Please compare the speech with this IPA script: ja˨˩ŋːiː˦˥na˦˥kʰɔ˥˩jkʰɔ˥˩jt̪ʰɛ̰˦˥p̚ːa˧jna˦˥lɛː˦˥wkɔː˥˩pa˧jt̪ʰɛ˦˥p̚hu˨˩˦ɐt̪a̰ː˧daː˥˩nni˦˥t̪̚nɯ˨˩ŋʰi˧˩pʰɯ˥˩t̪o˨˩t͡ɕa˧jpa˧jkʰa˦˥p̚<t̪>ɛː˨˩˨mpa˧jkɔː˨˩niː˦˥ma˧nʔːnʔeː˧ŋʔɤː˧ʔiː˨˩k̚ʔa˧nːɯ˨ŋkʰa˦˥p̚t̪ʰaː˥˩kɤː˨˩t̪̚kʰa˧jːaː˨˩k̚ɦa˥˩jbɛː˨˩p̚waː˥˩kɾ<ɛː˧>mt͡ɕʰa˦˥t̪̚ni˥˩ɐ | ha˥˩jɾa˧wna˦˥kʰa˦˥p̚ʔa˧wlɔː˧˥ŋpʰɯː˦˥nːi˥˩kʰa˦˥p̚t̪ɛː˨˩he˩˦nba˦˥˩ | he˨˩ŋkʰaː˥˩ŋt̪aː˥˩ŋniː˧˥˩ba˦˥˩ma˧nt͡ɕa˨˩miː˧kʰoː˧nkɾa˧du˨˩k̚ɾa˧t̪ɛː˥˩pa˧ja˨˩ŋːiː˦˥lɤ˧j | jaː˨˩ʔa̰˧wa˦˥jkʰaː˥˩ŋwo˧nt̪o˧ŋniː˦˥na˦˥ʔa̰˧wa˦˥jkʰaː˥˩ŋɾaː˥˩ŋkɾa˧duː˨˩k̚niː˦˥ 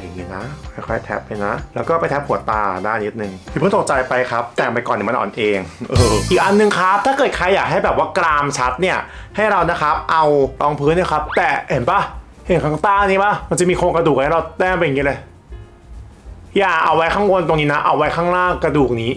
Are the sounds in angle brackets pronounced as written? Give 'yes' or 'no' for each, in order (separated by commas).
yes, no